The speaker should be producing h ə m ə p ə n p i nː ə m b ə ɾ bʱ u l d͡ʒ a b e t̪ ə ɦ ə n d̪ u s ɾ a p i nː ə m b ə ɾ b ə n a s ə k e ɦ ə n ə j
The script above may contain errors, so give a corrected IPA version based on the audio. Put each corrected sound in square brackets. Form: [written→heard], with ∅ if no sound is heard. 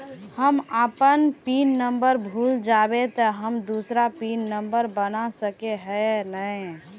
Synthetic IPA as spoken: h ə m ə p ə n p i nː ə m b ə ɾ bʱ u l d͡ʒ a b e t̪ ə ɦ ə [n→m] d̪ u s ɾ a p i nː ə m b ə ɾ b ə n a s ə k e ɦ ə n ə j